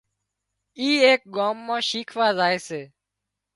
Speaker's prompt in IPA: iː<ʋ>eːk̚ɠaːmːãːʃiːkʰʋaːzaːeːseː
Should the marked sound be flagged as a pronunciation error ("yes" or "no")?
yes